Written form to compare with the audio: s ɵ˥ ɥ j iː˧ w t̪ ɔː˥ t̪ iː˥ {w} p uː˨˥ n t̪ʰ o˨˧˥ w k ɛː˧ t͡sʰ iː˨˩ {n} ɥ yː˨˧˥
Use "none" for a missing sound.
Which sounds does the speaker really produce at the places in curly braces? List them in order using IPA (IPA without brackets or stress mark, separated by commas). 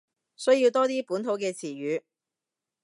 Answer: none, none